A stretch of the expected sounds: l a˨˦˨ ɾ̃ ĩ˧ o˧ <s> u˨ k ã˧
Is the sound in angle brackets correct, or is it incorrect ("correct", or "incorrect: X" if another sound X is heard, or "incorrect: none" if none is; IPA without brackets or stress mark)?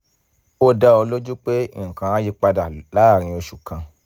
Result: incorrect: ʃ